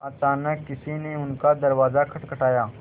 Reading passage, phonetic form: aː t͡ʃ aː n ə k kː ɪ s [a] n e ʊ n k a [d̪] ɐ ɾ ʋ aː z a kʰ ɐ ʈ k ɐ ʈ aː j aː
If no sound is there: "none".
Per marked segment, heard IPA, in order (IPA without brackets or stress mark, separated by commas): i, d̪